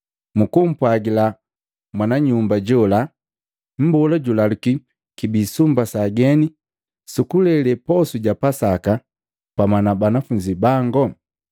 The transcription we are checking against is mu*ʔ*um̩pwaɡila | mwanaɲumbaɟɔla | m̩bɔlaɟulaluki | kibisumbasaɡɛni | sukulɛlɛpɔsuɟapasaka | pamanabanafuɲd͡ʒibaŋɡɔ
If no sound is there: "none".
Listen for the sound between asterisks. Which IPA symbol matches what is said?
k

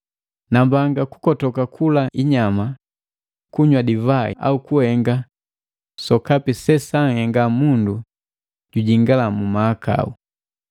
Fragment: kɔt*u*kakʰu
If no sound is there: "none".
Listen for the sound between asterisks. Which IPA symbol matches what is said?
ɔ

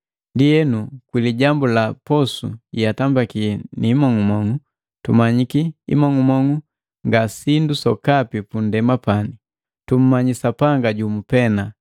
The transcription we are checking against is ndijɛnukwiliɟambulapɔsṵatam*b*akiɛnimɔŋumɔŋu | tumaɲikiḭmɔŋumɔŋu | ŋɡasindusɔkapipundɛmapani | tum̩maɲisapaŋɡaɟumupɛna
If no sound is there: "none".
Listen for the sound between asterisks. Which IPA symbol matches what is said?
b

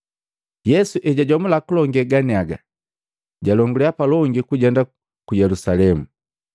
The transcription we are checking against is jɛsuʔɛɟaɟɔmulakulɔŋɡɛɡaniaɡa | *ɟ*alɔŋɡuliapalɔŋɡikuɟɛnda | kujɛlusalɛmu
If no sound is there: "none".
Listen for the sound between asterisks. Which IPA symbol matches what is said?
ɟ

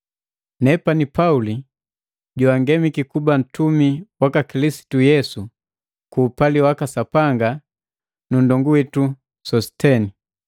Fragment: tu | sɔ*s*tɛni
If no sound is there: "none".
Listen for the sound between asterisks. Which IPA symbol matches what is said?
s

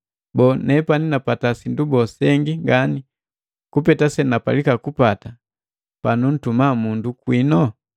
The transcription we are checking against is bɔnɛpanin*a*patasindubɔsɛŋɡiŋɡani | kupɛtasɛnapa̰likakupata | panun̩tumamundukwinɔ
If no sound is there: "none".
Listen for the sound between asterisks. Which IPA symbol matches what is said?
a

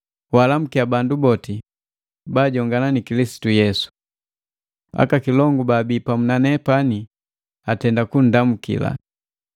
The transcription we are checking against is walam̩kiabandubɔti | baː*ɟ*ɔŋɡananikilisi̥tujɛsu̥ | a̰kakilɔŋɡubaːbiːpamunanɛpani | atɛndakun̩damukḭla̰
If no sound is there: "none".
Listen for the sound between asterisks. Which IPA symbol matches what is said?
ɟ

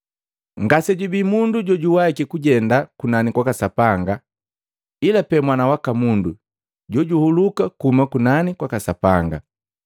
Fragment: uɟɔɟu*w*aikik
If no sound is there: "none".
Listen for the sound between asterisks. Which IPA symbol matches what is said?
w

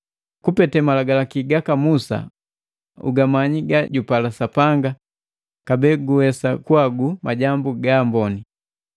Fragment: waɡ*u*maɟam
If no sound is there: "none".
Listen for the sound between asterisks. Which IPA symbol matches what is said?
u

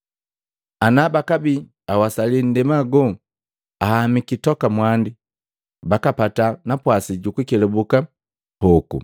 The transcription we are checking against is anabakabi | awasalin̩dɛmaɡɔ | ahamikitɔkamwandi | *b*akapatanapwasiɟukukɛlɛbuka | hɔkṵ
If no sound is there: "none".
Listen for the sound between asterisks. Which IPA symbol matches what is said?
b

